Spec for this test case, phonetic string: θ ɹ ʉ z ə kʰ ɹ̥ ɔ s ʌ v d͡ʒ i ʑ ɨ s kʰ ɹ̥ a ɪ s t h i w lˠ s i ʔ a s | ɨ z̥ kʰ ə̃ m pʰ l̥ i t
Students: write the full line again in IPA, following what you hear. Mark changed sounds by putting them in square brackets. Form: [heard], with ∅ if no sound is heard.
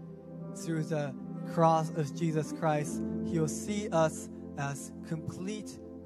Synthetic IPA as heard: θ ɹ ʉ [ð] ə kʰ ɹ̥ ɔ s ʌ v d͡ʒ i [z] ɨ s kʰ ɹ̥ a ɪ s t h i w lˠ s i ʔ [ʌ] s | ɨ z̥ kʰ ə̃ m pʰ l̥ i t